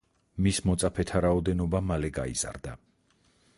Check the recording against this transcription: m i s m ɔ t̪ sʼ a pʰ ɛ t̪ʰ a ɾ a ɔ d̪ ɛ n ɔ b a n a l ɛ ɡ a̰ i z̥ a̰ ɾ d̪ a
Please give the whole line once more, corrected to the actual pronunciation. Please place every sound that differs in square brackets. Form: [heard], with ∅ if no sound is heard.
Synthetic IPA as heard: m i s m ɔ t̪ sʼ a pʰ ɛ t̪ʰ a ɾ a ɔ d̪ ɛ n ɔ b a [m] a l ɛ ɡ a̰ i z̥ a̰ ɾ d̪ a